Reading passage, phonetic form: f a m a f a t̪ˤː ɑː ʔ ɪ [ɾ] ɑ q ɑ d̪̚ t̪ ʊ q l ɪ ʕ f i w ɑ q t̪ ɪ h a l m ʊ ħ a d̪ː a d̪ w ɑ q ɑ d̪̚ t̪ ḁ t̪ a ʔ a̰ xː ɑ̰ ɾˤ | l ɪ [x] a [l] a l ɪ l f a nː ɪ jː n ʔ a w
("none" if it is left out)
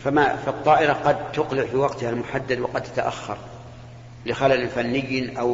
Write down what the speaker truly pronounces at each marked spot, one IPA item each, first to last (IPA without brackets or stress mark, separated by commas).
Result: ɾ, x, l